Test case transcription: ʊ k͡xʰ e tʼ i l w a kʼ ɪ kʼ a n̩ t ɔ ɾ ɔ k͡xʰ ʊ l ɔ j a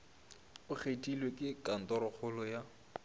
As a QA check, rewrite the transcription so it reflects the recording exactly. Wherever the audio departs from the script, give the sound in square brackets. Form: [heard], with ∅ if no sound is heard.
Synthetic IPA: ʊ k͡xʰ e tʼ i l w [e] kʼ ɪ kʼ a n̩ t ɔ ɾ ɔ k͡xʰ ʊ l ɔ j a